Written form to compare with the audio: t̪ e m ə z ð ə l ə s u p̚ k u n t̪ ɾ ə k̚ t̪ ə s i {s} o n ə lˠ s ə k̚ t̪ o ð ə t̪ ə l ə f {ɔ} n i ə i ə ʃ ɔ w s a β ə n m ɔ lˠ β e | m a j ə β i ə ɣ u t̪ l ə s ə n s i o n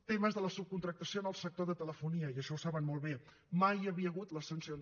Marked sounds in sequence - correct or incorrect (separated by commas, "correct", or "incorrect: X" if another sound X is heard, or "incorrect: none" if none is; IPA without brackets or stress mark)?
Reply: incorrect: none, incorrect: u